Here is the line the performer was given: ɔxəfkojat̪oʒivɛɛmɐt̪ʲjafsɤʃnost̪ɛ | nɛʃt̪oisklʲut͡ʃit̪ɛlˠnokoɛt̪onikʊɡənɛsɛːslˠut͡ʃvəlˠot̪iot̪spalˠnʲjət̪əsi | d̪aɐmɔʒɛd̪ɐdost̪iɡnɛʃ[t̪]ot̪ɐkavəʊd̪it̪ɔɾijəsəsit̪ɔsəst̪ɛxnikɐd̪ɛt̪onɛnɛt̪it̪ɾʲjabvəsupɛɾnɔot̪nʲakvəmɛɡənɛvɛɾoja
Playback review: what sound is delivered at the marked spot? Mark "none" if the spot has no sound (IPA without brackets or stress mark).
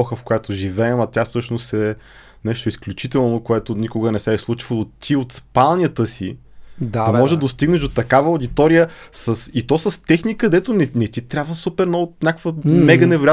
d̪